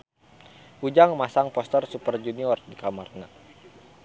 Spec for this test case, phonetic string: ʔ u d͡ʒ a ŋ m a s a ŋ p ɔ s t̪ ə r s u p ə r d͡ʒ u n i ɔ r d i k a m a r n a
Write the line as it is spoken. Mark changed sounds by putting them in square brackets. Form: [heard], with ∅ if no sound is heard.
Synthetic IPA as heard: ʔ u d͡ʒ a ŋ m a s a ŋ p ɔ s t̪ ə r s u p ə r d͡ʒ u n i ɔ r d i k a m a r n a